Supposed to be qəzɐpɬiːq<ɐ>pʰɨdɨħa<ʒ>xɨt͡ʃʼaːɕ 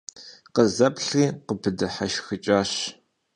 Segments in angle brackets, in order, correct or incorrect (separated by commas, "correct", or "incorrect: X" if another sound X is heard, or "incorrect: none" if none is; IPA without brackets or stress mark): incorrect: ə, incorrect: ʃ